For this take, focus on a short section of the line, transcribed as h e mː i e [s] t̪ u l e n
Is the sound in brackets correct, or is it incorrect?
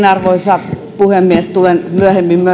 correct